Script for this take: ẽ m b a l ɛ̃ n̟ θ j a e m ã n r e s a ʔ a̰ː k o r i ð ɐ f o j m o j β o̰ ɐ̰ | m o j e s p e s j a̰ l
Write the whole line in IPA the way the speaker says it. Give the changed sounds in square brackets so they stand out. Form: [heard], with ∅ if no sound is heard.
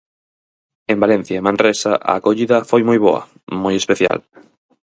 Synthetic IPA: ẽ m b a l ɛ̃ n̟ θ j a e m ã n r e s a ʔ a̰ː k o [ʎ] i ð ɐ f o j m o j β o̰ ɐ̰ | m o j e s p e [θ] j a̰ l